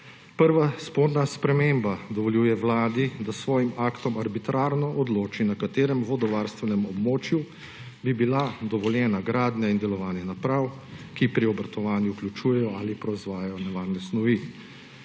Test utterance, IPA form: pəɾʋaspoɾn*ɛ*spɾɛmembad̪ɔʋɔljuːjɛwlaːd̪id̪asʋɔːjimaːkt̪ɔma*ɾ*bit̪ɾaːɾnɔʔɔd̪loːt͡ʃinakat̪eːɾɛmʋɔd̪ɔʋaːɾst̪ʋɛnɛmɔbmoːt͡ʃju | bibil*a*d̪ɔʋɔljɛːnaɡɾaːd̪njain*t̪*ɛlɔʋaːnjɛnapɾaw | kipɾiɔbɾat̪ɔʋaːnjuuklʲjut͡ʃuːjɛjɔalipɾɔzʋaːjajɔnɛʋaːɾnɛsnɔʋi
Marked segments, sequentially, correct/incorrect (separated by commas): incorrect, correct, correct, incorrect